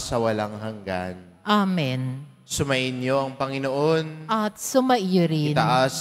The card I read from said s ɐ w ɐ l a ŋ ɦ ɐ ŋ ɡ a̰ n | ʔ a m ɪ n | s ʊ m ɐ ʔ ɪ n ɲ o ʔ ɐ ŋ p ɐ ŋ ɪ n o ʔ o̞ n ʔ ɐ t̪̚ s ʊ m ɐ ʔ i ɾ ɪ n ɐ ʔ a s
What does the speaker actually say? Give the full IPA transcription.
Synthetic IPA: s ɐ w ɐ l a ŋ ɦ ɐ ŋ ɡ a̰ n | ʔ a m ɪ n | s ʊ m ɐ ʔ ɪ n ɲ o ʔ ɐ ŋ p ɐ ŋ ɪ n o ʔ o̞ n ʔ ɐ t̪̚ s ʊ m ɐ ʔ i ɾ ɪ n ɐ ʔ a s